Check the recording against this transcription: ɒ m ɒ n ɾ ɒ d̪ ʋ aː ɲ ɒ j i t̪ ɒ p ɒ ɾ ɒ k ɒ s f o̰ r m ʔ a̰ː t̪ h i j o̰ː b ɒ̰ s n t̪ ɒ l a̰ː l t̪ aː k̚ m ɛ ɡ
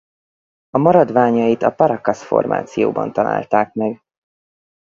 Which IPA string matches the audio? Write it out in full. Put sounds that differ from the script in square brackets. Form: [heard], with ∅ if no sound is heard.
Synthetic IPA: ɒ m ɒ [∅] ɾ ɒ d̪ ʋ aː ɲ ɒ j i t̪ ɒ p ɒ ɾ ɒ k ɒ s f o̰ r m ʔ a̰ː t̪ [s] i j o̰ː b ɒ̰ [∅] n t̪ ɒ l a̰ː l t̪ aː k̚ m ɛ ɡ